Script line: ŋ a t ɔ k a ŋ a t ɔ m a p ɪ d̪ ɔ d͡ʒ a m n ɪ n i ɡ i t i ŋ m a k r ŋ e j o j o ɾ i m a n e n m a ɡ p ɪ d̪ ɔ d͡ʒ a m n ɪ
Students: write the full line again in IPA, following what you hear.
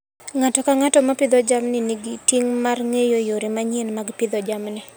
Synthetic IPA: ŋ a t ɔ k a ŋ a t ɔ m a p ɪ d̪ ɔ d͡ʒ a m n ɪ n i ɡ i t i ŋ m a r ŋ e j o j o ɾ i m a ɲ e n m a ɡ p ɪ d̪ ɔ d͡ʒ a m n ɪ

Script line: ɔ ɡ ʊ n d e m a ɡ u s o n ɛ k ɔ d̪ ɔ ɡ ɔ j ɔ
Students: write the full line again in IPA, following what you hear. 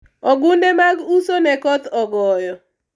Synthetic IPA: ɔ ɡ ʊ n d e m a ɡ u s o n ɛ k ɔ t̪ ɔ ɡ ɔ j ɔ

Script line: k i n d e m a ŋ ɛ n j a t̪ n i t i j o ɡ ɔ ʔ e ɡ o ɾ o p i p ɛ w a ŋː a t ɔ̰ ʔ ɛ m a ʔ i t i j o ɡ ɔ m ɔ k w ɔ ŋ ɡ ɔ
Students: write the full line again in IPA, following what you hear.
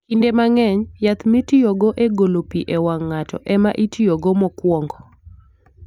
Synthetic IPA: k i n d e m a ŋ ɛ ɲ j a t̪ m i t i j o ɡ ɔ ʔ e ɡ o l o p i ʔ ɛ w a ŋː a t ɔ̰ ʔ ɛ m a ʔ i t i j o ɡ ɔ m ɔ k w ɔ ŋ ɡ ɔ

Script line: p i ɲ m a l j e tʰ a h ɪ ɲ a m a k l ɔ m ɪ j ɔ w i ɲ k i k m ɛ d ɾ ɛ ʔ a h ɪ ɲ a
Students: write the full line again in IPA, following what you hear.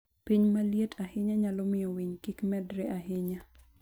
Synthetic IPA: p i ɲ m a l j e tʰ a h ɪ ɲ a ɲ a l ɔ m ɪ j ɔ w i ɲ k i k m ɛ d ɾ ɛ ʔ a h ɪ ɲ a

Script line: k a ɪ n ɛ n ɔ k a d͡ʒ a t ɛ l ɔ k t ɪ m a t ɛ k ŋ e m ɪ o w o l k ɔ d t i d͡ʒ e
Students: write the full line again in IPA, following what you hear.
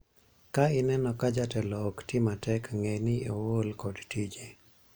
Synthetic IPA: k a ɪ n ɛ n ɔ k a d͡ʒ a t ɛ l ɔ k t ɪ m a t ɛ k ŋ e n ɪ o w o l k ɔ d t i d͡ʒ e

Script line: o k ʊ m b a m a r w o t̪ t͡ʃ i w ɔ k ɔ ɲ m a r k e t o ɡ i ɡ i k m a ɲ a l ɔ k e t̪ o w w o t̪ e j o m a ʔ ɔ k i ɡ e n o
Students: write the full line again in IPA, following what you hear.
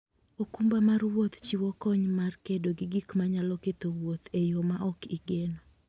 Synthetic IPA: o k u m b a m a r w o t̪ t͡ʃ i w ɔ k ɔ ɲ m a r k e d o ɡ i ɡ i k m a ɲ a l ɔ k e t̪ o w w o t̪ e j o m a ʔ ɔ k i ɡ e n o

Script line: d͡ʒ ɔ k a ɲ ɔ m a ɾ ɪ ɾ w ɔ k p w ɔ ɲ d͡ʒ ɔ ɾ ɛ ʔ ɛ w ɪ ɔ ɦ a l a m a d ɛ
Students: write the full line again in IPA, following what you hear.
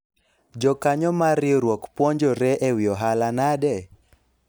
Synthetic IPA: d͡ʒ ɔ k a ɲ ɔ m a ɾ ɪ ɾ w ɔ k p w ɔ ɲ d͡ʒ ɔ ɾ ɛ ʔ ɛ w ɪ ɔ ɦ a l a n a d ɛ

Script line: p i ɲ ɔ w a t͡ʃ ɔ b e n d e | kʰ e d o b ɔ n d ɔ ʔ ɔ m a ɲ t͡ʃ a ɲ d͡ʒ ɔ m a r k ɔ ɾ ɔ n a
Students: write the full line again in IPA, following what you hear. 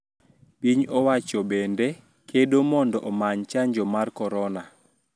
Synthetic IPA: p i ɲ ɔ w a t͡ʃ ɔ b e n d e | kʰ e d o m ɔ n d ɔ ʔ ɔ m a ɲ t͡ʃ a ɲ d͡ʒ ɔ m a r k ɔ ɾ ɔ n a

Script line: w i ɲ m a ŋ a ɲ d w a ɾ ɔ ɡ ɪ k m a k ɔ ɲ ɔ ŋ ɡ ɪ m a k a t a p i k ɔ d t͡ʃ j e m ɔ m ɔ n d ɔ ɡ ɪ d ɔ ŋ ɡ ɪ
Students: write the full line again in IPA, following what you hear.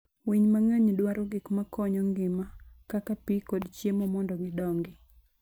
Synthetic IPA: w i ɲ m a ŋ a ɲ d w a ɾ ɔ ɡ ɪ k m a k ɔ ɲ ɔ ŋ ɡ ɪ m a k a k a p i k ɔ d t͡ʃ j e m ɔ m ɔ n d ɔ ɡ ɪ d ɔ ŋ ɡ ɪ

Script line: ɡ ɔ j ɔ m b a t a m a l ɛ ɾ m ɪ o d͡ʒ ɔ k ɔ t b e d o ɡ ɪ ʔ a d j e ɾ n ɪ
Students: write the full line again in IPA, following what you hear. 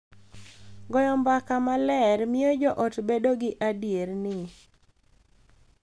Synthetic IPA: ɡ ɔ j ɔ m b a k a m a l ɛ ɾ m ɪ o d͡ʒ ɔ ʔ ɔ t b e d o ɡ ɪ ʔ a d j e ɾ n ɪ

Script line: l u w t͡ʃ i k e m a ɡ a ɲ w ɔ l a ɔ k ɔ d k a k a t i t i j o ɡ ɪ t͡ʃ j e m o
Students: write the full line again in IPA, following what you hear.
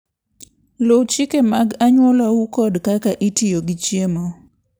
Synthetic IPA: l o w t͡ʃ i k e m a ɡ a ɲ w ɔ l a u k ɔ d k a k a ʔ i t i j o ɡ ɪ t͡ʃ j e m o

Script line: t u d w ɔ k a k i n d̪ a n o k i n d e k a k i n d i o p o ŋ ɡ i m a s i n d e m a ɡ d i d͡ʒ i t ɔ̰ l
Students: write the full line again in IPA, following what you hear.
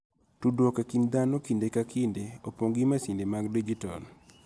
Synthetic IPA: t u d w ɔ k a k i n d̪ a n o k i n d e k a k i n d e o p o ŋ ɡ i m a s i n d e m a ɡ d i d͡ʒ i t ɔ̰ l

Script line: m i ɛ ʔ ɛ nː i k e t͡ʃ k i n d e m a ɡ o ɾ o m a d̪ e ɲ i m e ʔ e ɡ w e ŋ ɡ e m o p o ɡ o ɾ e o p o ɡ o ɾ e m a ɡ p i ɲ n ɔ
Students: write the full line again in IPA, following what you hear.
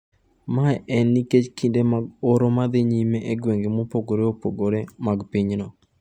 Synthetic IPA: m a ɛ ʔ ɛ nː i k e t͡ʃ k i n d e m a ɡ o ɾ o m a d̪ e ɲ i m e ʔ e ɡ w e ŋ ɡ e m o p o ɡ o ɾ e o p o ɡ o ɾ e m a ɡ p i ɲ n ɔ

